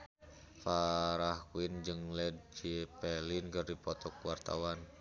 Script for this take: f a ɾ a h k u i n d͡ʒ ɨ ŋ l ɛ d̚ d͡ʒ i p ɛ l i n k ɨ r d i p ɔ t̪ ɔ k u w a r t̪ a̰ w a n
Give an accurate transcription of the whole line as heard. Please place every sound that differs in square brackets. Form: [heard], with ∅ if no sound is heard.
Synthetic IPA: f a ɾ a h k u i n d͡ʒ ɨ ŋ l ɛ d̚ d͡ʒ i p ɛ l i n k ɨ r d i p ɔ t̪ ɔ k u w a r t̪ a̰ w a n